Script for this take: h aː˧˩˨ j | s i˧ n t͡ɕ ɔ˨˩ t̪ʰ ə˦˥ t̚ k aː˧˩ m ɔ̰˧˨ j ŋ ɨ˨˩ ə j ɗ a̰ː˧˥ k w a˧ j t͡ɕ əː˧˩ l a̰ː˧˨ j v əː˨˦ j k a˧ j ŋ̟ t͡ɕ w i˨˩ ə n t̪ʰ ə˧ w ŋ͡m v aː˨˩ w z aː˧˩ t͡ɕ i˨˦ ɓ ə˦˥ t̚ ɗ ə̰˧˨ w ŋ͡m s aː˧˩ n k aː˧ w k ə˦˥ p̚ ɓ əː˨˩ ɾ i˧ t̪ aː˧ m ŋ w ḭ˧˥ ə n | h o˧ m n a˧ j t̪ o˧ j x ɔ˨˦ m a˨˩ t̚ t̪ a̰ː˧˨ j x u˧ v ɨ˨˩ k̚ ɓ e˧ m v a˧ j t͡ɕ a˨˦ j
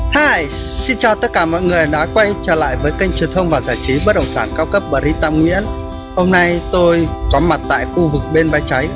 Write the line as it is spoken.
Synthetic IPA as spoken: h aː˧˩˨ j | s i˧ n t͡ɕ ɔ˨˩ t̪ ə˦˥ t̚ k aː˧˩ m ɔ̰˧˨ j ŋ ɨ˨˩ ə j ɗ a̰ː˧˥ k w a˧ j t͡ɕ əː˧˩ l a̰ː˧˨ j v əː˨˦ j k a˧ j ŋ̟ t͡ɕ w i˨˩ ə n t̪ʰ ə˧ w ŋ͡m v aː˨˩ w z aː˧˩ t͡ɕ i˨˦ ɓ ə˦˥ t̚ ɗ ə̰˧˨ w ŋ͡m s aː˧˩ n k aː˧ w k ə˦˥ p̚ ɓ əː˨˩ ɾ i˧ t̪ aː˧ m ŋ w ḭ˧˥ ə n | h o˧ m n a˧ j t̪ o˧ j k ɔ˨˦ m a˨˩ t̚ t̪ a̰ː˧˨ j x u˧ v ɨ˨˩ k̚ ɓ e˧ n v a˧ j t͡ɕ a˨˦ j